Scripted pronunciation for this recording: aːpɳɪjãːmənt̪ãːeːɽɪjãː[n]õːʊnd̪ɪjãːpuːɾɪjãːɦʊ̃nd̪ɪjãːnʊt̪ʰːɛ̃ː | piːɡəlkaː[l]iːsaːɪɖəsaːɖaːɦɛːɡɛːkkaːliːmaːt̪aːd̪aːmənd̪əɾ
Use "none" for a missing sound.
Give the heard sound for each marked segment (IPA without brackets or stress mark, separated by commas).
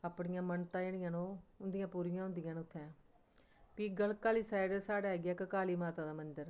n, l